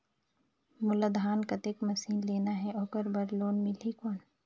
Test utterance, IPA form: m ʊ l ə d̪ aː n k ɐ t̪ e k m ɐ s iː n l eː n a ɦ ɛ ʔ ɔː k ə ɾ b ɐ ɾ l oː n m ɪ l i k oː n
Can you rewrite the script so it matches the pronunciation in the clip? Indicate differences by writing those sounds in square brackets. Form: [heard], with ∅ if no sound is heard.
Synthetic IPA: m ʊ l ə d̪ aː n k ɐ t̪ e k m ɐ s iː n l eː n a ɦ ɛ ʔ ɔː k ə ɾ b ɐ ɾ l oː n m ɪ l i k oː n